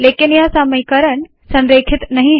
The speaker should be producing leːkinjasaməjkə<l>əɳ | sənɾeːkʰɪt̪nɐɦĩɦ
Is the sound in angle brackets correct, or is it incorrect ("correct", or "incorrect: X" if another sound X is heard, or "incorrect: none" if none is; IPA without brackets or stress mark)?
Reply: incorrect: ɾ